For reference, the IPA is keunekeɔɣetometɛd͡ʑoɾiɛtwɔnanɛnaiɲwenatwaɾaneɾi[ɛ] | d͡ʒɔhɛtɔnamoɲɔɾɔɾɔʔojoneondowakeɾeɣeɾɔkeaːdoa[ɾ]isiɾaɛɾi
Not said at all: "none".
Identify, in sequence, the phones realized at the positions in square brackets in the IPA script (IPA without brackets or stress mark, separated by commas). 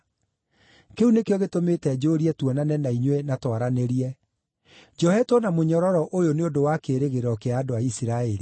ɛ, none